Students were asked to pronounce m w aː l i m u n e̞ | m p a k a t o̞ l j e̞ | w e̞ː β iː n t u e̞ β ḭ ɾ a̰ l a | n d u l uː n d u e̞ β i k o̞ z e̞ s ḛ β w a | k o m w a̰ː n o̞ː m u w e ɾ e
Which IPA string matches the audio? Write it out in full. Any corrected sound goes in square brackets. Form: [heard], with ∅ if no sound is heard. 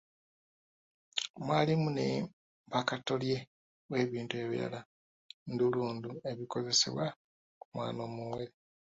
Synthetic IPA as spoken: m w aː l i m u n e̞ | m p a k a t o̞ l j e̞ | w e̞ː β iː n t u e̞ β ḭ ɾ a̰ l a | n d u l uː n d u e̞ β i k o̞ z e̞ s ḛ β w a | k [u] m w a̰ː n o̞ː m u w e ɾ e